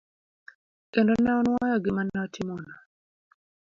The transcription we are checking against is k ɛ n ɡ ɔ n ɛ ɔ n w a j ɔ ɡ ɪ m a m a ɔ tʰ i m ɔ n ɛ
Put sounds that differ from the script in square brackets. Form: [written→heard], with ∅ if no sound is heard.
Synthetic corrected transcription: k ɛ n [ɡ→d] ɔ n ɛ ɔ n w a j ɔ ɡ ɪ m a [m→n] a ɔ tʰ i m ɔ n [ɛ→a]